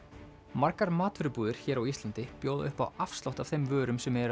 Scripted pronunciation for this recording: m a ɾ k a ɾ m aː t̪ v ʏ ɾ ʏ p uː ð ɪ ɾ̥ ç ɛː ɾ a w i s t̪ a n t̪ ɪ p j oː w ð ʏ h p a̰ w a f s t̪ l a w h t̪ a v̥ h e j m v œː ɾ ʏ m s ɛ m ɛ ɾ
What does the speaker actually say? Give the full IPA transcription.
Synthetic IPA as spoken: m a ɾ k a ɾ m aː t̪ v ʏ ɾ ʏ p uː ð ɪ ɾ̥ ç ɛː ɾ a w i s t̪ a n t̪ ɪ p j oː w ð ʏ h p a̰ w a f s t̪ l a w h t̪ a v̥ θ e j m v œː ɾ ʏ m s ɛ m ɛ ɾ